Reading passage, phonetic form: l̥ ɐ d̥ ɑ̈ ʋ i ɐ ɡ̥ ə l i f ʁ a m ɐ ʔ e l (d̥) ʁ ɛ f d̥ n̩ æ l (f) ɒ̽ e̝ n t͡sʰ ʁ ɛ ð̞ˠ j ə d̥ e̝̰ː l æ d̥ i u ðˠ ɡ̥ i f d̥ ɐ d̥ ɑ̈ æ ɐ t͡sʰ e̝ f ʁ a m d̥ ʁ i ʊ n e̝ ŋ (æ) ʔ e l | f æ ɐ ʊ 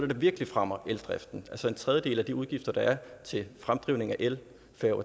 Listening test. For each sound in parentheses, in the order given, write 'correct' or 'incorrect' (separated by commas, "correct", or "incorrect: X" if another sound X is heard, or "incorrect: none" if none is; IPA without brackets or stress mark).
correct, incorrect: s, correct